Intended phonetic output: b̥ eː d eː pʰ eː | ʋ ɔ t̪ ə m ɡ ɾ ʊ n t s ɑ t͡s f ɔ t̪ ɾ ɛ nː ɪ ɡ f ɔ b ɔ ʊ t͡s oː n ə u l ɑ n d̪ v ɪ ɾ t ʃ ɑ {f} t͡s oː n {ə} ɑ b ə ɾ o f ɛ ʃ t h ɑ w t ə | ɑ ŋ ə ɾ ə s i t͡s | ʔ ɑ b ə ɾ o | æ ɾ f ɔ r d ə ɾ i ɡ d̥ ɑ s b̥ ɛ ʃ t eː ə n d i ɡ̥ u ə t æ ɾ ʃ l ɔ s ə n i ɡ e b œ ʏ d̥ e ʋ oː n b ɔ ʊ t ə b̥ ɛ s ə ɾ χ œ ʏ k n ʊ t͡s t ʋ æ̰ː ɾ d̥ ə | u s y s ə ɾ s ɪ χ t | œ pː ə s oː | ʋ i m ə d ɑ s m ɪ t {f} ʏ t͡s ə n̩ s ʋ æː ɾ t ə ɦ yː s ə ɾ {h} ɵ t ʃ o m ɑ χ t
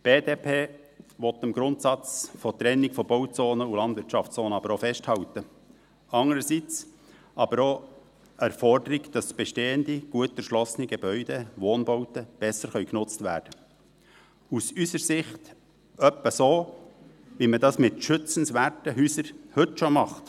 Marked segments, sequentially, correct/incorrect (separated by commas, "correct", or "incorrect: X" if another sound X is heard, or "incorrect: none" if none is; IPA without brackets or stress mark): correct, correct, incorrect: ʃ, correct